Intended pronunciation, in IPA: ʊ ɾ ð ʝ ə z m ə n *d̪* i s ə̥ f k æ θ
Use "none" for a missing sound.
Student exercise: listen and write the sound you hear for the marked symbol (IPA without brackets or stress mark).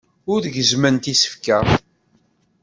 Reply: t̪